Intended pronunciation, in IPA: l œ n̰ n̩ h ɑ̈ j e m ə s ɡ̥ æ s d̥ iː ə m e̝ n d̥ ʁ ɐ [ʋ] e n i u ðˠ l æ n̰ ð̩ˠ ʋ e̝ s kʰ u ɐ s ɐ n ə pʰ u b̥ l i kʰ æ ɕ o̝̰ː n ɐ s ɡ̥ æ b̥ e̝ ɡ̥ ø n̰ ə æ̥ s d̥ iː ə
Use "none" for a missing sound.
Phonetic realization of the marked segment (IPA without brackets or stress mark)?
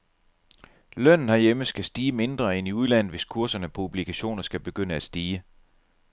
none